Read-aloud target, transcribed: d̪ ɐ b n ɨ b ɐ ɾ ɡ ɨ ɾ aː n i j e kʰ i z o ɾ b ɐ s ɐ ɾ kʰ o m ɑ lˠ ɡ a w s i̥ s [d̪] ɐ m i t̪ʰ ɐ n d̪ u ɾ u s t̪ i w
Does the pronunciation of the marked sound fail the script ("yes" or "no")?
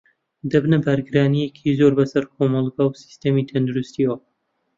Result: yes